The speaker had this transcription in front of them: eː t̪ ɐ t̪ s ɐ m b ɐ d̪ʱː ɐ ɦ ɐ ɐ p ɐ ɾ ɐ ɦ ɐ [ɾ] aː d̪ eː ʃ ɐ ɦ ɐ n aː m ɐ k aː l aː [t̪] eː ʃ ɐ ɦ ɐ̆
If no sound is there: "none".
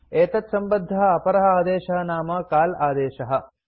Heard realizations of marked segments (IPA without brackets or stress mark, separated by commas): none, d̪